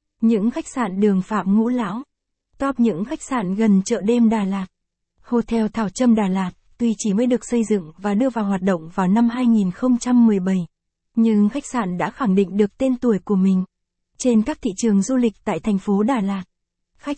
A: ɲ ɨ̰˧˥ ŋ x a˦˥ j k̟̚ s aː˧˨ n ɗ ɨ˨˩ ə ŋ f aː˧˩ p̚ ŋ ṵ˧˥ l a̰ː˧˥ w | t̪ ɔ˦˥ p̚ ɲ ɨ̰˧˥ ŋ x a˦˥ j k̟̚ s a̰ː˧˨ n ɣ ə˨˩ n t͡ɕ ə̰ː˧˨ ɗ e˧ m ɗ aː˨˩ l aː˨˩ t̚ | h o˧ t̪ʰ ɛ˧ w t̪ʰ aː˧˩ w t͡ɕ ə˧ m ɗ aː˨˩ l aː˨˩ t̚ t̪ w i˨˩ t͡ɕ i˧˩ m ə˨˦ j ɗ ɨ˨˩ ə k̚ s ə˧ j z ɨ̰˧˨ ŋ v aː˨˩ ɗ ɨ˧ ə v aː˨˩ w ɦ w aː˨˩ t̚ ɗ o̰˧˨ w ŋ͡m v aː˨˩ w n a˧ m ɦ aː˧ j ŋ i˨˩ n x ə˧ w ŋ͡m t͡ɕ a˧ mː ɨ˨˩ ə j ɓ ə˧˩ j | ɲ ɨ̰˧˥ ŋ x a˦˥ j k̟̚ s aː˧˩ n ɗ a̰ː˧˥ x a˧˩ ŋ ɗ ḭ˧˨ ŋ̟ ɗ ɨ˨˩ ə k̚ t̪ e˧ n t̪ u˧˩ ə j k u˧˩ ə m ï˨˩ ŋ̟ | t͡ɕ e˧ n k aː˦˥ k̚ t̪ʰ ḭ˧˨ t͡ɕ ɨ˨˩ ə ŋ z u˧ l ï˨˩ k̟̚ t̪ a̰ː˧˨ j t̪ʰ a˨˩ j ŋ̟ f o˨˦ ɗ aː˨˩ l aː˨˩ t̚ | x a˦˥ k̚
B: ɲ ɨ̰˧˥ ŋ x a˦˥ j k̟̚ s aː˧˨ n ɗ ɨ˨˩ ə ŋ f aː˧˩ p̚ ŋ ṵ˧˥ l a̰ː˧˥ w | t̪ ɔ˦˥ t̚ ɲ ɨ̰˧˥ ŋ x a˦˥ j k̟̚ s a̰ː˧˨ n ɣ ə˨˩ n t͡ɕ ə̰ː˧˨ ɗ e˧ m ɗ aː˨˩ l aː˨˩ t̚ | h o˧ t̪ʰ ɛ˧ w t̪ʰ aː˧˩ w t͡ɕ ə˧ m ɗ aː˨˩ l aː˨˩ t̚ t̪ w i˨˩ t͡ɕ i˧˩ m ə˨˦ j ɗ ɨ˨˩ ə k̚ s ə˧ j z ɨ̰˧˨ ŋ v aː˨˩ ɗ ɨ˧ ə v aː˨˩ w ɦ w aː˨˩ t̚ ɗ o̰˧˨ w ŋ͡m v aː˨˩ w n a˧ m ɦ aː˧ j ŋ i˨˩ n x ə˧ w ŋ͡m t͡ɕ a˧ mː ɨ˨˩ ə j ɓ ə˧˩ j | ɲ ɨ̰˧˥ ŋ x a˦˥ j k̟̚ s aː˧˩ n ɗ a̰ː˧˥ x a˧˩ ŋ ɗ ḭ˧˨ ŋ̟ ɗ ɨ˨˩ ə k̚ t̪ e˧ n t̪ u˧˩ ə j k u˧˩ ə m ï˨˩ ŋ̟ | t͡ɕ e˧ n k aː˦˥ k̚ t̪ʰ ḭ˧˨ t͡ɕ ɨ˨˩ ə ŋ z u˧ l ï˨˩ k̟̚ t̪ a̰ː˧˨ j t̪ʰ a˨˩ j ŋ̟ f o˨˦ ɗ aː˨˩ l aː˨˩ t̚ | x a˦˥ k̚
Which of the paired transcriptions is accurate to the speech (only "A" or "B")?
A